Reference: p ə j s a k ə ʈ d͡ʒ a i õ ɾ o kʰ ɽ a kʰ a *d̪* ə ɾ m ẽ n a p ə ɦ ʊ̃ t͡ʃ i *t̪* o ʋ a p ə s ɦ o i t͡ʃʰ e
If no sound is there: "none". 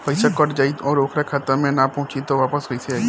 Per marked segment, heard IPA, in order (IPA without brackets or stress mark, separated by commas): t̪, t̪